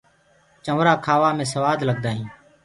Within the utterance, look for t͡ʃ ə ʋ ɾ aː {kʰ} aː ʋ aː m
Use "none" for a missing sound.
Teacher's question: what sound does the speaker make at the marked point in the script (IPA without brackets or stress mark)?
kʰ